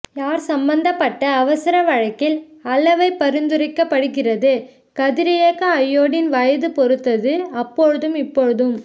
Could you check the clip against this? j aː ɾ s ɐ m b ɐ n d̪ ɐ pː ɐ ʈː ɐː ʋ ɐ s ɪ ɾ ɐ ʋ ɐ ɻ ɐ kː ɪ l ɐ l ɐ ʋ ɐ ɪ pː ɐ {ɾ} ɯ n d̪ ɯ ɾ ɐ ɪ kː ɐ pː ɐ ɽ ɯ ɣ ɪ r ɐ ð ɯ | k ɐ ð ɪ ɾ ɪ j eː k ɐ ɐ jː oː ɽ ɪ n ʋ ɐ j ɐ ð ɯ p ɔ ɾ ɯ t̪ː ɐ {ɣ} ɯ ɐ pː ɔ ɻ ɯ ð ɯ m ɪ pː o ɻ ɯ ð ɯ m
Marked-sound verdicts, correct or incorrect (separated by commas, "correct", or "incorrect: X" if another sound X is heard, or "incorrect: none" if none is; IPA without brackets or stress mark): correct, incorrect: ð